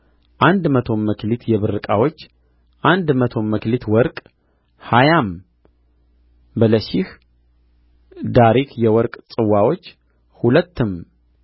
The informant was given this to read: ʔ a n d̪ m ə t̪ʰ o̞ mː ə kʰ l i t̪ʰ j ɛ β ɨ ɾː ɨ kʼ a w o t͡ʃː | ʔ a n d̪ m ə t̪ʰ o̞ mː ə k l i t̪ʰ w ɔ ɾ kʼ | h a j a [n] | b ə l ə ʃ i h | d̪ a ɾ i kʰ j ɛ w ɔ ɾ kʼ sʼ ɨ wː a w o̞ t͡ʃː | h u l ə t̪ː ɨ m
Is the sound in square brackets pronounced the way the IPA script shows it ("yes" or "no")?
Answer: no